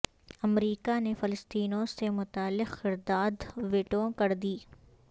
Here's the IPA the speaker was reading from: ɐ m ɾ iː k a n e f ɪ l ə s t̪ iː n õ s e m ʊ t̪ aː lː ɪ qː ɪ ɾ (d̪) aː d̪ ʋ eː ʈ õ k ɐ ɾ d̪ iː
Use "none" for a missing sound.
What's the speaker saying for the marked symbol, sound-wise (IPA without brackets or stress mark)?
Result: d̪